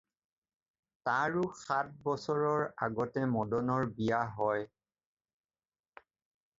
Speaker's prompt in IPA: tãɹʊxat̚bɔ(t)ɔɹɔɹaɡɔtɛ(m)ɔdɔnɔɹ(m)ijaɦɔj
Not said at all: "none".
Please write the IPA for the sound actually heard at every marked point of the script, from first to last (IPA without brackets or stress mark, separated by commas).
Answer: s, m, b